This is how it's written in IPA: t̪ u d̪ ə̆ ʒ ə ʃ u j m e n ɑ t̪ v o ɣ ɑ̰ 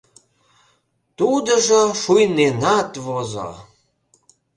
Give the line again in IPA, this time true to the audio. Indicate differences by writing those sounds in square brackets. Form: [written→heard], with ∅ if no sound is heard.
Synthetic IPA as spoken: t̪ u d̪ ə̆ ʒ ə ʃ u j [m→n] e n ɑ t̪ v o [ɣ→z] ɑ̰